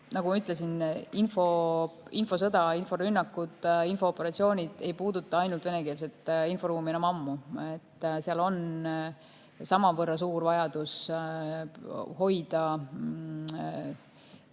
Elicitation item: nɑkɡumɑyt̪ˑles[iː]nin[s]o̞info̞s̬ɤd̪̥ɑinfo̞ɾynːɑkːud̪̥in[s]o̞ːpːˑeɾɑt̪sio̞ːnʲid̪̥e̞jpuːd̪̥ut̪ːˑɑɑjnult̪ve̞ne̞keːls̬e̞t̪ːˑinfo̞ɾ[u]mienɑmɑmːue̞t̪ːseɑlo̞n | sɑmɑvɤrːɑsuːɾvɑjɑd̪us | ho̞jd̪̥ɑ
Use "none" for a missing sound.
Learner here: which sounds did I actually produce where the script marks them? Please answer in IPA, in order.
i, f, f, uː

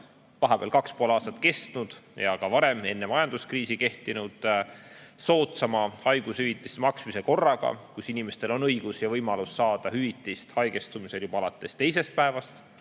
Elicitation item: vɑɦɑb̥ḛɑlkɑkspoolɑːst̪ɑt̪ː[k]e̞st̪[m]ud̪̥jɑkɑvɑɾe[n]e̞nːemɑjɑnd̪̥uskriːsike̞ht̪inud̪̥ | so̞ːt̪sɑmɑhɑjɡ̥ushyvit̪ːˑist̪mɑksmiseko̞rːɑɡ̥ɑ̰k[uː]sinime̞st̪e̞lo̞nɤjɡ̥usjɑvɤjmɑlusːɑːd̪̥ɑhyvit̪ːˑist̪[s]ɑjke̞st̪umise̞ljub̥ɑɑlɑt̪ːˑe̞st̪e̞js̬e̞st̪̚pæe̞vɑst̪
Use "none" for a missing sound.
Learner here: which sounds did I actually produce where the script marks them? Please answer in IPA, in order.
k, n, m, u, h

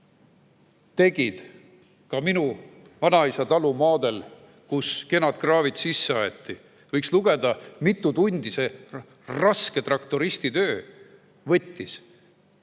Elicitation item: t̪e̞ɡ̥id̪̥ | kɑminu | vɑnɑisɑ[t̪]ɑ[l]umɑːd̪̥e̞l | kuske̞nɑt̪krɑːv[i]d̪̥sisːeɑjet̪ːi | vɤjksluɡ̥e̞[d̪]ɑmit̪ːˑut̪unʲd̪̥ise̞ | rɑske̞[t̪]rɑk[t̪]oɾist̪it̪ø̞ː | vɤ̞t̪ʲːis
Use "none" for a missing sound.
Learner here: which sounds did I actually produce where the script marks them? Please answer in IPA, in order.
t̪, l, i, d̪, t̪, t̪

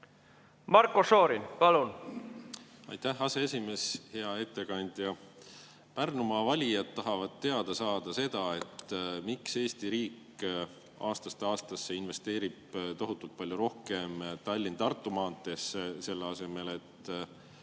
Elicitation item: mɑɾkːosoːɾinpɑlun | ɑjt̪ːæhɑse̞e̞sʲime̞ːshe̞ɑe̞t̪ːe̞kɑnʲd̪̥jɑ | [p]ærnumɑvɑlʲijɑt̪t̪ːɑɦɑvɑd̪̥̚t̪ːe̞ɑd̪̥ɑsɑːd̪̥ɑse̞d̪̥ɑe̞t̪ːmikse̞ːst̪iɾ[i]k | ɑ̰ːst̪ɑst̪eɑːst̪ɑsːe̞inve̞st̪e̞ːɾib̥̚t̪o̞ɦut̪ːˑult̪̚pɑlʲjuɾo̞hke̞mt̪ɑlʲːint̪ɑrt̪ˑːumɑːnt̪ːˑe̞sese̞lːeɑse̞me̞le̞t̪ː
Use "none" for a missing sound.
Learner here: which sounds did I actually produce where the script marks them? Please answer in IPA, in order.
p, iː

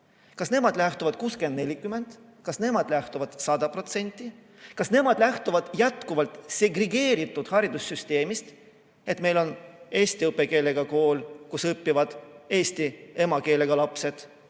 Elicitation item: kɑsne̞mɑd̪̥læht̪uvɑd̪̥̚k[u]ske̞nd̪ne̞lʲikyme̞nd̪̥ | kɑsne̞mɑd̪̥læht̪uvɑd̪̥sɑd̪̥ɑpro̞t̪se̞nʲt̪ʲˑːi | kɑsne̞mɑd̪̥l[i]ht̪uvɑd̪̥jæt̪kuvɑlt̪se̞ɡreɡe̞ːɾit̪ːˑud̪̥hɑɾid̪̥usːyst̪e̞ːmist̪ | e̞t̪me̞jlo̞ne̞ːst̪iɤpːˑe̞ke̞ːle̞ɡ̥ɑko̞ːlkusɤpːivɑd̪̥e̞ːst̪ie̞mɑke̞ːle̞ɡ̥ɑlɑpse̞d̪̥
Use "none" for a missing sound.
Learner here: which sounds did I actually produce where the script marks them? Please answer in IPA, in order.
uː, æ

